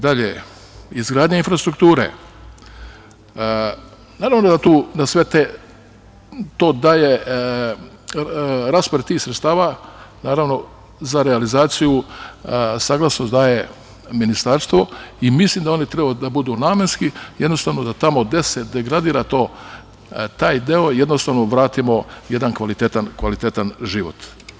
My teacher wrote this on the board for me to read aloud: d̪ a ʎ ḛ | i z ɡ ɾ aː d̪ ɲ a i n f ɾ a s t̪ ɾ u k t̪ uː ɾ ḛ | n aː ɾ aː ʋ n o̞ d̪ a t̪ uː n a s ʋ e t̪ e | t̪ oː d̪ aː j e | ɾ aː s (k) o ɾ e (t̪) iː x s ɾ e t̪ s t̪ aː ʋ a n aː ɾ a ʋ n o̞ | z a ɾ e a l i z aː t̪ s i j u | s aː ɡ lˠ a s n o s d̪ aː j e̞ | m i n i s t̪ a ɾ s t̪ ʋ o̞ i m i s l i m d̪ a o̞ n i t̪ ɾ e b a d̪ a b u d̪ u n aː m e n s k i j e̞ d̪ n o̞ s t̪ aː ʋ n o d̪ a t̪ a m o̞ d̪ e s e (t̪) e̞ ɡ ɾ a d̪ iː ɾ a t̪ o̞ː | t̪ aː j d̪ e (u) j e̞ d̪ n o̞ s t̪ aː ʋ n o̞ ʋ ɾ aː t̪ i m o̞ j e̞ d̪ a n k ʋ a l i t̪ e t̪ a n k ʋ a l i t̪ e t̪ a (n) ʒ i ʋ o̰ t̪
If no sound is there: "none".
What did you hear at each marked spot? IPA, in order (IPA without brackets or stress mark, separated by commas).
p, t̪, d̪, o, n